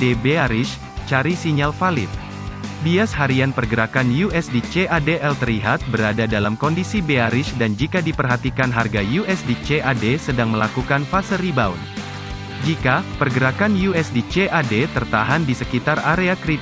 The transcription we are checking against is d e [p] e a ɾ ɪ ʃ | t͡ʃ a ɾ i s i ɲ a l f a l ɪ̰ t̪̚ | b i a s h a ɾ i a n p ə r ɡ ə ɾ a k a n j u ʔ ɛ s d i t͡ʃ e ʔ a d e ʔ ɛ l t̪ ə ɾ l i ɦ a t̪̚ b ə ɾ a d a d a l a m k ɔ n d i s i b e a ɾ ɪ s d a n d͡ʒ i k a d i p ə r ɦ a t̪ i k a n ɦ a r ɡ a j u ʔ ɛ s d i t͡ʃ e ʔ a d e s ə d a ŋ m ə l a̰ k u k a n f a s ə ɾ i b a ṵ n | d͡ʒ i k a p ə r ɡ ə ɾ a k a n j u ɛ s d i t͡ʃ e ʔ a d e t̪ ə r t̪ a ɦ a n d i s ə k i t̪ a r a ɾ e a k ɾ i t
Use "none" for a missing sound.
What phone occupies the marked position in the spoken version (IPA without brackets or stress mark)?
b